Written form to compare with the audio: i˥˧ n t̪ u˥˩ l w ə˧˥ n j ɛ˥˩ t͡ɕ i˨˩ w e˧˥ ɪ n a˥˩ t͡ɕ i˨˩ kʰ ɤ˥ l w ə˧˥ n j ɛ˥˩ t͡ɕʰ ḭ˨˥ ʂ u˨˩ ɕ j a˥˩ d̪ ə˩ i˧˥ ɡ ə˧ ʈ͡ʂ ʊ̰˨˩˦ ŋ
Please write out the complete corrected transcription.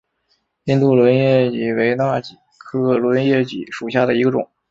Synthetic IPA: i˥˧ n t̪ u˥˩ l w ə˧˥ n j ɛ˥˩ t͡ɕ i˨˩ w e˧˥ ɪ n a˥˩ t͡ɕ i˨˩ kʰ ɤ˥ l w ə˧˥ n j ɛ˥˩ t͡ɕ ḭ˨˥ ʂ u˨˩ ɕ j a˥˩ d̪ ə˩ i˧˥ ɡ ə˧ ʈ͡ʂ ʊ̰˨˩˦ ŋ